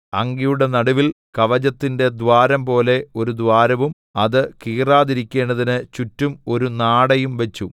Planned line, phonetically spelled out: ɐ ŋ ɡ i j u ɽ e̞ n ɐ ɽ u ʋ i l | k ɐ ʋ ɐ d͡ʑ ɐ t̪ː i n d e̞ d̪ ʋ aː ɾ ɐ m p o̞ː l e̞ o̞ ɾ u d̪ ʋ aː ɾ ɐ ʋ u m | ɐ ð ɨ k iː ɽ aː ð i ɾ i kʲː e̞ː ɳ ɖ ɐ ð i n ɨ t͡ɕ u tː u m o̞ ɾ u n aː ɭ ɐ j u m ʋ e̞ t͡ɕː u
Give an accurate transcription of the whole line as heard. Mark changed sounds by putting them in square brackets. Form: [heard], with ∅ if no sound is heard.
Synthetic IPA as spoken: ɐ ŋ ɡ i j u ɽ e̞ n ɐ ɽ u ʋ i l | k ɐ ʋ ɐ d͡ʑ ɐ t̪ː i n d e̞ d̪ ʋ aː ɾ ɐ m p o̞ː l e̞ o̞ ɾ u d̪ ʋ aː ɾ ɐ ʋ u m | ɐ ð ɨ k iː [r] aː ð i ɾ i kʲː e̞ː ɳ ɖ ɐ ð i n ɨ t͡ɕ u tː u m o̞ ɾ u n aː [ɽ] ɐ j u m ʋ e̞ t͡ɕː u

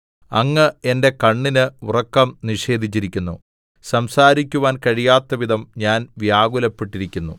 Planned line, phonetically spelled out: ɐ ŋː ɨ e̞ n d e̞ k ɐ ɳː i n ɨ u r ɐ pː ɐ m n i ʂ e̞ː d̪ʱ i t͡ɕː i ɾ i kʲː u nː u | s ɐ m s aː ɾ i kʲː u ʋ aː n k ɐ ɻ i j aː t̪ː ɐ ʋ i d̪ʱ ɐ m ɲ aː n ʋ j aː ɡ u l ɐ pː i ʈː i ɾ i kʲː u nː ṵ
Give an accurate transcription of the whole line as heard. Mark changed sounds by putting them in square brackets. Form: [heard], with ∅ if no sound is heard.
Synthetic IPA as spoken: ɐ ŋː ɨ e̞ n d e̞ k ɐ ɳː i n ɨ u r ɐ [kː] ɐ m n i ʂ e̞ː d̪ʱ i t͡ɕː i ɾ i kʲː u nː u | s ɐ m s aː ɾ i kʲː u ʋ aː n k ɐ ɻ i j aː t̪ː ɐ ʋ i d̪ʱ ɐ m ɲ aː n ʋ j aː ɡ u l ɐ pː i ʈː i ɾ i kʲː u nː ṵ

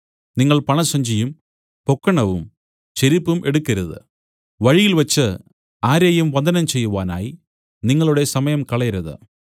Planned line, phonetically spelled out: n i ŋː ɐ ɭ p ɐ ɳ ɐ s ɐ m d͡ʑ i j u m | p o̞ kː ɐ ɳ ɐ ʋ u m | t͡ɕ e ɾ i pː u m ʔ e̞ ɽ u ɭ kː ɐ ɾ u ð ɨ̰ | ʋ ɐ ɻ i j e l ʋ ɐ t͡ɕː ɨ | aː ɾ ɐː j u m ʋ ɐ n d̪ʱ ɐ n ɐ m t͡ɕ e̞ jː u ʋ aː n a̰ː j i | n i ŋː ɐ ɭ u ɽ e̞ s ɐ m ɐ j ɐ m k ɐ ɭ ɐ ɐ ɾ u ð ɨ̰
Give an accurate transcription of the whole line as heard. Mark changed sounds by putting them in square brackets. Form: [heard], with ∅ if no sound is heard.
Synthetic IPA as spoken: n i ŋː ɐ ɭ p ɐ ɳ ɐ s ɐ [ɲ] d͡ʑ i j u m | p o̞ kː ɐ ɳ ɐ ʋ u m | t͡ɕ e ɾ i pː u m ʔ e̞ ɽ u [∅] kː ɐ ɾ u ð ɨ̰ | ʋ ɐ ɻ i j [i] l ʋ ɐ t͡ɕː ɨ | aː ɾ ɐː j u m ʋ ɐ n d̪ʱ ɐ n ɐ m t͡ɕ e̞ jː u ʋ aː n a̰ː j i | n i ŋː ɐ ɭ u ɽ e̞ s ɐ m ɐ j ɐ m k ɐ ɭ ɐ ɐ ɾ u ð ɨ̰

